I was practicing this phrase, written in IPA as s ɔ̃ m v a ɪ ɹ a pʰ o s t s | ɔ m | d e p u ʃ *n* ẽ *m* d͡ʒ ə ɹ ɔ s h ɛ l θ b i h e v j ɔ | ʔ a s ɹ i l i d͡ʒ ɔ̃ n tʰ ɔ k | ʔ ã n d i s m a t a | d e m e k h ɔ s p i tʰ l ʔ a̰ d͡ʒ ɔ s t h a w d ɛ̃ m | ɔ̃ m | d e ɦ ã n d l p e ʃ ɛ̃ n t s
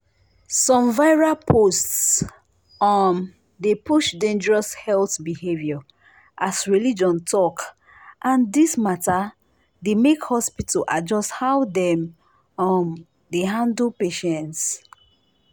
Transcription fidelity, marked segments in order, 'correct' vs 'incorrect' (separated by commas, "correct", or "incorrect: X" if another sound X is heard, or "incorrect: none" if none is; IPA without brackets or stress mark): incorrect: d, incorrect: n